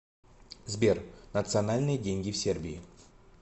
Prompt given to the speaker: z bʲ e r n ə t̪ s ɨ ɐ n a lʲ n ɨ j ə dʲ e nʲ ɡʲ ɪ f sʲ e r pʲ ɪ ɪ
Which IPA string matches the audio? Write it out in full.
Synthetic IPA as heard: z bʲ e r n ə t̪ s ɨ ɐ n a lʲ n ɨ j ə dʲ e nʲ ɡʲ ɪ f sʲ e r bʲ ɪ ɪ